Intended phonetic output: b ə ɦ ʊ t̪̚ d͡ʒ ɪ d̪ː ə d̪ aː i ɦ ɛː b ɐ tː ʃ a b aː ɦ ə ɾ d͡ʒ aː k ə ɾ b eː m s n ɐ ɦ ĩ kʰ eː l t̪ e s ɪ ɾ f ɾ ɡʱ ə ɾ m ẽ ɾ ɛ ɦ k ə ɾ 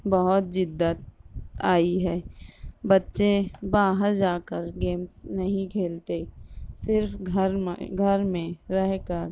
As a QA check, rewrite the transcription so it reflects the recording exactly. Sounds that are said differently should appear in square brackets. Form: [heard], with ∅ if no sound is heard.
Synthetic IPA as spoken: b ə ɦ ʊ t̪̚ d͡ʒ ɪ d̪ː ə [t̪] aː i ɦ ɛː b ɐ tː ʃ [e] b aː ɦ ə ɾ d͡ʒ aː k ə ɾ [ɡ] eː m s n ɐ ɦ ĩ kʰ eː l t̪ e s ɪ ɾ f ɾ ɡʱ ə ɾ m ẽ ɾ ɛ ɦ k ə ɾ